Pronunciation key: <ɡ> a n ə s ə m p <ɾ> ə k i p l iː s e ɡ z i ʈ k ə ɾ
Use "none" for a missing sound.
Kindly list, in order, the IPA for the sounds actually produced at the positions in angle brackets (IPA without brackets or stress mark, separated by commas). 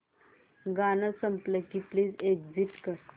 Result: ɡ, l